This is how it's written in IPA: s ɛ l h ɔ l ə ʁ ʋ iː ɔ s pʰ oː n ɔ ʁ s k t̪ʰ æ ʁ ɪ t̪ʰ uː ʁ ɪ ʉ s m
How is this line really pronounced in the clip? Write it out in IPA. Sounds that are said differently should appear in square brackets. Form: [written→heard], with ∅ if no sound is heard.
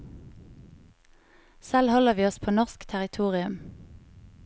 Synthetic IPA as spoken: s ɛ l h ɔ l ə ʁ ʋ iː ɔ s pʰ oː n ɔ ʁ s k t̪ʰ æ ʁ ɪ t̪ʰ uː ʁ ɪ ʉ [s→∅] m